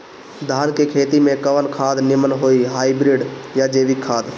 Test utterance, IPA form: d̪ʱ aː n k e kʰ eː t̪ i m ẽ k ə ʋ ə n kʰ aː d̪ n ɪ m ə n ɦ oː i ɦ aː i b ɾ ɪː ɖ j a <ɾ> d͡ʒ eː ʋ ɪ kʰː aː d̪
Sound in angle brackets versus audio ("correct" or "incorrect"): incorrect